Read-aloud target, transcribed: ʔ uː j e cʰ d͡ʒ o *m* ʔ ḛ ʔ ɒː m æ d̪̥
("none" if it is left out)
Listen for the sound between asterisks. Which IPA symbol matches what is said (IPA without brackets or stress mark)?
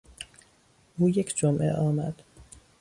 m